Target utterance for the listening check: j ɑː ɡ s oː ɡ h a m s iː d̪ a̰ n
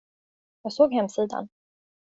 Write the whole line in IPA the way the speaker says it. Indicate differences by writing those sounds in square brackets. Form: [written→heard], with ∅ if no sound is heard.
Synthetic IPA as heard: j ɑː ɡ s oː ɡ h [a→ɛ] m s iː d̪ a̰ n